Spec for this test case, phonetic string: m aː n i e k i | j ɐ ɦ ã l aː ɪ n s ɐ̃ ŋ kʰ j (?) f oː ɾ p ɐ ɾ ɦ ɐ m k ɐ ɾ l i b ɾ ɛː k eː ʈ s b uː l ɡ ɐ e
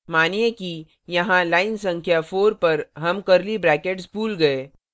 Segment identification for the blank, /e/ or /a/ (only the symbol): a